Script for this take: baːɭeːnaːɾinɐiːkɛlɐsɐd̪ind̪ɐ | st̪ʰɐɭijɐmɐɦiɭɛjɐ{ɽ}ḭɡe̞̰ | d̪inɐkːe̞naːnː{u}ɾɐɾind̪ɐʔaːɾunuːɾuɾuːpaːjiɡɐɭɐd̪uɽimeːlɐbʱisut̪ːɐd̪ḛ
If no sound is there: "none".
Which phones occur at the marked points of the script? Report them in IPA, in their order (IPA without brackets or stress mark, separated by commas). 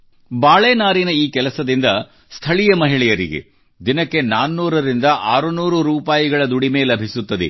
ɾ, uː